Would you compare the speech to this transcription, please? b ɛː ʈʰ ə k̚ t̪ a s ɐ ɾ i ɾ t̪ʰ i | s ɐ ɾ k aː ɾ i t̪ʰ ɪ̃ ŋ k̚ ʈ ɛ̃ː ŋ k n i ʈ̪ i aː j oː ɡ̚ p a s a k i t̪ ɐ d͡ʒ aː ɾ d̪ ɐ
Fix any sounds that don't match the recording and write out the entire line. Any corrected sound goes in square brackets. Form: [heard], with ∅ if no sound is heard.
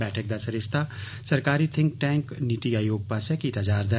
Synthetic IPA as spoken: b ɛː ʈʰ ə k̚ [d̪] a s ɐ ɾ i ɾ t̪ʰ [a] | s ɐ ɾ k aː ɾ i t̪ʰ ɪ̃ ŋ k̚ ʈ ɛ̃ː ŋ k n i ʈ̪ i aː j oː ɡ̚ p a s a k i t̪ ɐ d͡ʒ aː ɾ d̪ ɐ